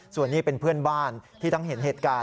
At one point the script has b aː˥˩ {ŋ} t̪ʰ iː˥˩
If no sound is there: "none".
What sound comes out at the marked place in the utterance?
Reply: n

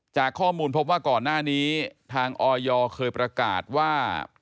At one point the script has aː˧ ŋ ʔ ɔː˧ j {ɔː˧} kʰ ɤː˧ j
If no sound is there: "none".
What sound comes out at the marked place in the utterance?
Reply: ɔː˧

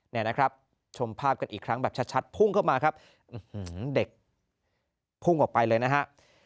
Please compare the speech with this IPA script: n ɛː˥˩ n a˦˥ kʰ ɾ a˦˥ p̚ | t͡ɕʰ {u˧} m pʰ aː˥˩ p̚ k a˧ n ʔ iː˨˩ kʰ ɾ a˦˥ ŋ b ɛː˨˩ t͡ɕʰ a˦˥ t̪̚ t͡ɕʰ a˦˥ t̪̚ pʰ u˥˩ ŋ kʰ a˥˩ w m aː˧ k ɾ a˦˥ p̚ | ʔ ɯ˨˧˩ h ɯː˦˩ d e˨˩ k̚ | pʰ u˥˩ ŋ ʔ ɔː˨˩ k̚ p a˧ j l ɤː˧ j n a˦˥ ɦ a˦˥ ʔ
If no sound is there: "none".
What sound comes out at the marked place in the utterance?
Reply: o˧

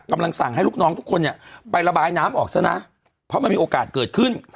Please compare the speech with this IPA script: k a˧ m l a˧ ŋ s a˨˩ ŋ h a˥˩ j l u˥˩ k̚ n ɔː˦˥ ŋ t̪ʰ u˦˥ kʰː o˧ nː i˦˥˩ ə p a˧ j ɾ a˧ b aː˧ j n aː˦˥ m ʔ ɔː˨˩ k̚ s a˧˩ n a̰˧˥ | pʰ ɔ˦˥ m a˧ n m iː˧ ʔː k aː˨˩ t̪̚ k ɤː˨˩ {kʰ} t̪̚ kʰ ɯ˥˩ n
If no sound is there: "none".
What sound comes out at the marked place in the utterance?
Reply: none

